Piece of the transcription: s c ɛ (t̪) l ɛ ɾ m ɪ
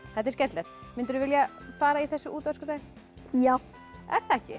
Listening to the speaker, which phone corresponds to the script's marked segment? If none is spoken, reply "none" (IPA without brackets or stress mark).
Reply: t̪